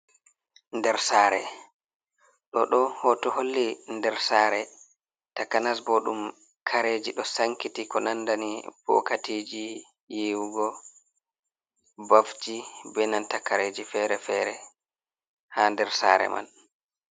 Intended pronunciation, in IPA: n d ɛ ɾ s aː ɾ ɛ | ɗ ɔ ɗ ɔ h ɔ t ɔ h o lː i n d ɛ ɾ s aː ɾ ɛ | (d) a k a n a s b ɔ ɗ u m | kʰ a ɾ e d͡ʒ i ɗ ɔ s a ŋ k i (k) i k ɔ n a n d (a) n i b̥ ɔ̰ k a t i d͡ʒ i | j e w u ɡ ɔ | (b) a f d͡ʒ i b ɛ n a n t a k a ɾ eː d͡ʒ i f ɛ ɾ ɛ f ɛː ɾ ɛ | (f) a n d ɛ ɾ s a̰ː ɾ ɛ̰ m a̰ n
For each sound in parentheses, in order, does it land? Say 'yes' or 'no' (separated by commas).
no, no, yes, yes, no